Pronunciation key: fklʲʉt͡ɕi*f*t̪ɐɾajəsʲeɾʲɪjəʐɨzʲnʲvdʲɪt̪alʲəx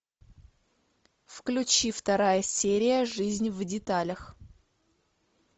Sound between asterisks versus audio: correct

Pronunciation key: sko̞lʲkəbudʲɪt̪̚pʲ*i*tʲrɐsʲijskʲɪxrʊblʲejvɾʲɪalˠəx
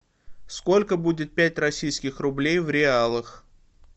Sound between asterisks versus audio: incorrect: æ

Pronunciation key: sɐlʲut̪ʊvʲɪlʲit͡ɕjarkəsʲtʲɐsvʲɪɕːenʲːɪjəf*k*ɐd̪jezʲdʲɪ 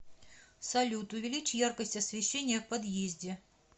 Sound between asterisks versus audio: incorrect: p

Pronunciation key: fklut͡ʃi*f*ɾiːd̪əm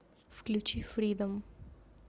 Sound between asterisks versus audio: correct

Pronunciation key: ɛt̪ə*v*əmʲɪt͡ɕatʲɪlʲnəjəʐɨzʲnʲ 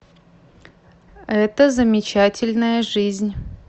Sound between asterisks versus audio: incorrect: z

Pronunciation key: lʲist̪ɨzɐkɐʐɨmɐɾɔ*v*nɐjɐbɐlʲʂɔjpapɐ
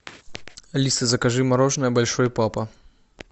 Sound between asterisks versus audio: incorrect: ʐ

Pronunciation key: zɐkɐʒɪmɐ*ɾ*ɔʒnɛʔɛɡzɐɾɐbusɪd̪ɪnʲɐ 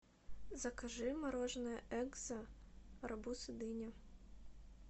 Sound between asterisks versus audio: correct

